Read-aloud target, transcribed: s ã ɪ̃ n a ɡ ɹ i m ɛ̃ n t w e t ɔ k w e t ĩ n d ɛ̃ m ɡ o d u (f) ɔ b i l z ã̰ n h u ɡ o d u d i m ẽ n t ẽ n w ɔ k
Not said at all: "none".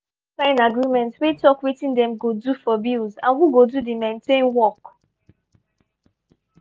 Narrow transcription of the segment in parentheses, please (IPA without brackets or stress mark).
f